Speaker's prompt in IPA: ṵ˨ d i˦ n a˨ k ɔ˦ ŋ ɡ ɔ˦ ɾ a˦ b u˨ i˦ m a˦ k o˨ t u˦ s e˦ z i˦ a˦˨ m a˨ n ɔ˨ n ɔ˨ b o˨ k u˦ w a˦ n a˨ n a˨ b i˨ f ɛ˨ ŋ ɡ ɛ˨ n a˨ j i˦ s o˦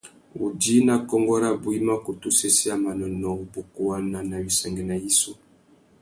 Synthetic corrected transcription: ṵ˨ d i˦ n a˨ k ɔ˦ ŋ ɡ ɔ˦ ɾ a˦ b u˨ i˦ m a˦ k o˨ t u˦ s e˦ s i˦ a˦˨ m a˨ n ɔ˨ n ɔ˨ b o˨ k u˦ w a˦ n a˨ n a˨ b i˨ s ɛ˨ ŋ ɡ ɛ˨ n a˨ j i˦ s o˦